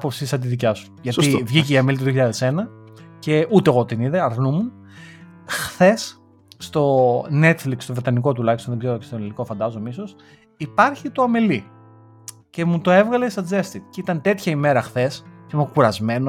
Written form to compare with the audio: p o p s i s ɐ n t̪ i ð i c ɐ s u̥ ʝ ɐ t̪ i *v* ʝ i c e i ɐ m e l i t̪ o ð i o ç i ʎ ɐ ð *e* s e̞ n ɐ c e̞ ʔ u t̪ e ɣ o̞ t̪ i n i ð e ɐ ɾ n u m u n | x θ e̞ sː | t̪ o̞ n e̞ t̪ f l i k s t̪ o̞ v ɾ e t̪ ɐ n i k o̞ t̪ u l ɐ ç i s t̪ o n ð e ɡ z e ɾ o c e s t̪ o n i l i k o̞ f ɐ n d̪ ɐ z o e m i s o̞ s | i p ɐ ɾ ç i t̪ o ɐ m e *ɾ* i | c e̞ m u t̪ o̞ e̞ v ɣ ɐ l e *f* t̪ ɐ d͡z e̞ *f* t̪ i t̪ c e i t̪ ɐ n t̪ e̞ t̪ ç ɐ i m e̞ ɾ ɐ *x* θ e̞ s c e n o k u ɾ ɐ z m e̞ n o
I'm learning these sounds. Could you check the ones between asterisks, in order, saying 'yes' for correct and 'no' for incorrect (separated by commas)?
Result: yes, yes, no, no, no, yes